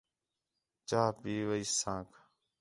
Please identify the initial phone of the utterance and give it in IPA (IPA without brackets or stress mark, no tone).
t͡ʃ